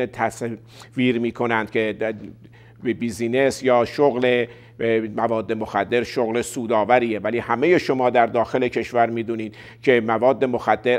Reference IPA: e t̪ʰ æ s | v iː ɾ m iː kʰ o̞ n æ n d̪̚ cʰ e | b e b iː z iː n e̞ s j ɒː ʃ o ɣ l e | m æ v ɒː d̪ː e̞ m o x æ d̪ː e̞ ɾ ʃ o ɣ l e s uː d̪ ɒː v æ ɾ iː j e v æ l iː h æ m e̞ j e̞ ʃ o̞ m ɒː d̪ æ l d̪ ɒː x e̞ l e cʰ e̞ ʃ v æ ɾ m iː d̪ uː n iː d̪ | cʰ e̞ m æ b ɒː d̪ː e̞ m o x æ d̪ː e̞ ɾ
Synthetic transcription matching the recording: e t̪ʰ æ s | v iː ɾ m iː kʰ o̞ n æ n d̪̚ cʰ e | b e b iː z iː n e̞ s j ɒː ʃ o ɣ l e | m æ v ɒː d̪ː e̞ m o x æ d̪ː e̞ ɾ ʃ o ɣ l e s uː d̪ ɒː v æ ɾ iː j e v æ l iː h æ m e̞ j e̞ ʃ o̞ m ɒː d̪ æ ɾ d̪ ɒː x e̞ l e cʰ e̞ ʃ v æ ɾ m iː d̪ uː n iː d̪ | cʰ e̞ m æ v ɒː d̪ː e̞ m o x æ d̪ː e̞ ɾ